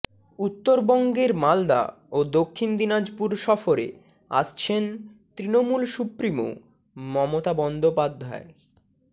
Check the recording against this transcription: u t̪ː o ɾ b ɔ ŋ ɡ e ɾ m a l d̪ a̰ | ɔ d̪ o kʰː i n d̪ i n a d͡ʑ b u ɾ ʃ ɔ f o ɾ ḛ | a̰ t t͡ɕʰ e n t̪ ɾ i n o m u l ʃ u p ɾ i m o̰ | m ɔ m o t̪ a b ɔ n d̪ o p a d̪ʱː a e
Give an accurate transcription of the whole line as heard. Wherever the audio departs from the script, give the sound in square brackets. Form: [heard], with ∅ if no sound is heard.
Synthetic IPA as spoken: u t̪ː o ɾ b ɔ ŋ ɡ e ɾ m a l d̪ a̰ | [o] d̪ o kʰː i n d̪ i n a d͡ʑ [p] u ɾ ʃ ɔ f o ɾ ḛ | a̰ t t͡ɕʰ e n t̪ ɾ i n o m u l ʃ u p ɾ i m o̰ | m ɔ m o t̪ a b ɔ n d̪ o p a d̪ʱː a e